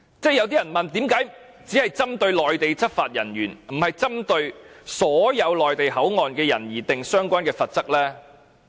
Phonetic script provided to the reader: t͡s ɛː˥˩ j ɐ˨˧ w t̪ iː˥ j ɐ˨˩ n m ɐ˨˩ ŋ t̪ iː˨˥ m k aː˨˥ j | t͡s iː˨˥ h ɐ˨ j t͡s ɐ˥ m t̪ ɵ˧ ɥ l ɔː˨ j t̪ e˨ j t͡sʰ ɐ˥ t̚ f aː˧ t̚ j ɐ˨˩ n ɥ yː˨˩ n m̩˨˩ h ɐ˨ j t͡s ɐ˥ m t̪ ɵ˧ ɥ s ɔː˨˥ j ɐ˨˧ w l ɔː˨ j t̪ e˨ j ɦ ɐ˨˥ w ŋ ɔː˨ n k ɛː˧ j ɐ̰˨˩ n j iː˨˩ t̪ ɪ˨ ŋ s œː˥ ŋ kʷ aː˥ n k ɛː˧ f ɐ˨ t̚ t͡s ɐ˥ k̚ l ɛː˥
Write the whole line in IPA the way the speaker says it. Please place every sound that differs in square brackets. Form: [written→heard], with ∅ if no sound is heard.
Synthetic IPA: t͡s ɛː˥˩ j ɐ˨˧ w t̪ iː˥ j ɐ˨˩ n m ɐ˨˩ [ŋ→n] t̪ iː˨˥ m k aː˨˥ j | t͡s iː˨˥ h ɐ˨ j t͡s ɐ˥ m t̪ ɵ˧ ɥ l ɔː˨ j t̪ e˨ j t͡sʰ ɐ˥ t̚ f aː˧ t̚ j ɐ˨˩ n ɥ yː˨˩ n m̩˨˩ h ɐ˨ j t͡s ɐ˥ m t̪ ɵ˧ ɥ s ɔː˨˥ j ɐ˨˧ w l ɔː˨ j t̪ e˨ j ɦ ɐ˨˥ w ŋ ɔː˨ n k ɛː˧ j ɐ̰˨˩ n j iː˨˩ t̪ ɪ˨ ŋ s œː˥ ŋ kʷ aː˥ n k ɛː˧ f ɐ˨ t̚ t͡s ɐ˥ k̚ l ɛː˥

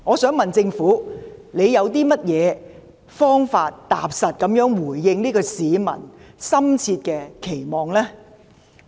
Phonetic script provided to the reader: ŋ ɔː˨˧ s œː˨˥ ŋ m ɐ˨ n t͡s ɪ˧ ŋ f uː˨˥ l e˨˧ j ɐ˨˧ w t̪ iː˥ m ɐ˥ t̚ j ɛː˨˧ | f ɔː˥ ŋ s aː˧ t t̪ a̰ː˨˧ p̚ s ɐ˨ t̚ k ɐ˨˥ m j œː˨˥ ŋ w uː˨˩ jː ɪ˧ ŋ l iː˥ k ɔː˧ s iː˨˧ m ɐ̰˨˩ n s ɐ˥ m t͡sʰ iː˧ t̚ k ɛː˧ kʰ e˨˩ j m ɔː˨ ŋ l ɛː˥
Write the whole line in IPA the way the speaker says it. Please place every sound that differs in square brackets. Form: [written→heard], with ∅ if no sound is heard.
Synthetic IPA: ŋ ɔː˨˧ s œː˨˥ ŋ m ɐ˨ n t͡s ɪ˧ ŋ f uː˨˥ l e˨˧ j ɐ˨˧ w t̪ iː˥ m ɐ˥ t̚ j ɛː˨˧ | f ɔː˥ ŋ [s→f] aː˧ t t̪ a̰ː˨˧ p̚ s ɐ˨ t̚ k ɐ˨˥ m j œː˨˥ ŋ w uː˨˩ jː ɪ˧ ŋ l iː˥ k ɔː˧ s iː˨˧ m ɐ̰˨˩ n s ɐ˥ m t͡sʰ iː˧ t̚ k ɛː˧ kʰ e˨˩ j m ɔː˨ ŋ l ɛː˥

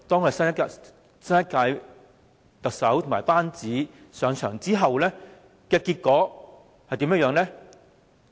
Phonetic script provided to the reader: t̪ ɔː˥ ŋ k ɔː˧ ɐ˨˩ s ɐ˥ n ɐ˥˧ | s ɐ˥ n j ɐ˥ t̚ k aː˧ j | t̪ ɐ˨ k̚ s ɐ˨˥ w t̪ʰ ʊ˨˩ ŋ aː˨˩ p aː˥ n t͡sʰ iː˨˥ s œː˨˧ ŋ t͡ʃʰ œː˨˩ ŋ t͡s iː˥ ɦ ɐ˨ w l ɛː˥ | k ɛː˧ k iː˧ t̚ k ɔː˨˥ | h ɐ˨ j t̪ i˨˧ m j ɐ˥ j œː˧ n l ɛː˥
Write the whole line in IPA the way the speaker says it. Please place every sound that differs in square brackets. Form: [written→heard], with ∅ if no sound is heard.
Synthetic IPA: t̪ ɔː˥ ŋ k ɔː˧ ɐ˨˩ s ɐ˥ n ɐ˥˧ | s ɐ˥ n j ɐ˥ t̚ k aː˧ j | t̪ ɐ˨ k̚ s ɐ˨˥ w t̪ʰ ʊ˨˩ [ŋ→m] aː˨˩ p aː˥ n [t͡sʰ→t͡s] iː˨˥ s œː˨˧ ŋ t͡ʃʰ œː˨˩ ŋ t͡s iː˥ ɦ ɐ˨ w l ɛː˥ | k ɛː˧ k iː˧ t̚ k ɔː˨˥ | h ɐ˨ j t̪ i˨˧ m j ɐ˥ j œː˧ [n→ŋ] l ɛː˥

